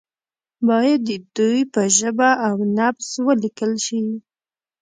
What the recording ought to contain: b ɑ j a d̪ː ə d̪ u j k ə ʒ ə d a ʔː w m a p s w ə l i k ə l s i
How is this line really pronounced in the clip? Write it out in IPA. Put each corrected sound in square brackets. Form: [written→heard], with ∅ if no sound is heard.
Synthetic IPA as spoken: b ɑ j a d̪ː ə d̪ u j [k→p] ə ʒ ə [d→b] a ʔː w [m→n] a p s w ə l i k ə l [s→ʃ] i